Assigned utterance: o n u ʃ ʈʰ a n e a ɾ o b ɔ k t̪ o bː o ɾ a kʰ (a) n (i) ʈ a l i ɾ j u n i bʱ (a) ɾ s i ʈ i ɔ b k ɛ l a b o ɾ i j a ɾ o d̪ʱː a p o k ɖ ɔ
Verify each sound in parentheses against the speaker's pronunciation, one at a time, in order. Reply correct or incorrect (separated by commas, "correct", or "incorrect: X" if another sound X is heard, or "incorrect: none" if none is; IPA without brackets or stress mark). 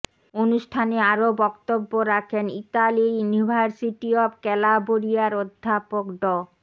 incorrect: e, correct, correct